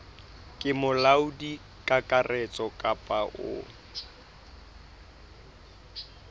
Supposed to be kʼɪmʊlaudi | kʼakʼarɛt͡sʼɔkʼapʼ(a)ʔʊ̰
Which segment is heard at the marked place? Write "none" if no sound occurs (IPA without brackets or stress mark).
a